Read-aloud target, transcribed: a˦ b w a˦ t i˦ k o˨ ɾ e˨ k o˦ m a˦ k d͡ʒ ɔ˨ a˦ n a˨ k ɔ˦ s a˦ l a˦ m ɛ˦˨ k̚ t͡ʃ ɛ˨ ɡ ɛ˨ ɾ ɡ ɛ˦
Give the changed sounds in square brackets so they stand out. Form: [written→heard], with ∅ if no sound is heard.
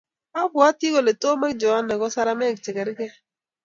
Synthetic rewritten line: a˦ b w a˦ t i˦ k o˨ [ɾ→l] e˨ [k→t] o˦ m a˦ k d͡ʒ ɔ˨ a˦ n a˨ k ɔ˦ s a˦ [l→ɾ] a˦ m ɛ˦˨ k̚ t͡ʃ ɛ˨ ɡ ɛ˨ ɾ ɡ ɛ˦